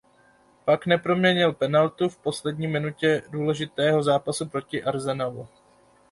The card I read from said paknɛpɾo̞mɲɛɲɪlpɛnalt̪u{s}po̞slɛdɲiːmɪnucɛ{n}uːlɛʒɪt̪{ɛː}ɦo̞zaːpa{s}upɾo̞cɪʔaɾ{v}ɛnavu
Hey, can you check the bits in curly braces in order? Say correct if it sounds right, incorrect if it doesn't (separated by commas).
incorrect, incorrect, correct, correct, incorrect